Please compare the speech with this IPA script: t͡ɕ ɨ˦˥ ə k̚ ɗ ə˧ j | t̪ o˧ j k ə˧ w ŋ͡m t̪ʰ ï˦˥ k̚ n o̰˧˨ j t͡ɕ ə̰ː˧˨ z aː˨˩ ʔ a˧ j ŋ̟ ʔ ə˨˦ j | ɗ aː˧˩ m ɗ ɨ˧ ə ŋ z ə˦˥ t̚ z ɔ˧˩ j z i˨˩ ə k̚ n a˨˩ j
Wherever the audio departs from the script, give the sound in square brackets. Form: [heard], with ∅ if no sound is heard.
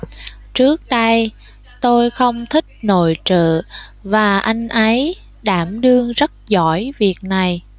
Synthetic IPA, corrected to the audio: t͡ɕ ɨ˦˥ ə k̚ ɗ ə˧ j | t̪ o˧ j [x] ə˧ w ŋ͡m t̪ʰ ï˦˥ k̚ n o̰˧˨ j t͡ɕ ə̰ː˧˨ [v] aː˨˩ ʔ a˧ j ŋ̟ ʔ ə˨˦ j | ɗ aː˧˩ m ɗ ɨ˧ ə ŋ z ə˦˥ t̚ z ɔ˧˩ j [v] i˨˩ ə k̚ n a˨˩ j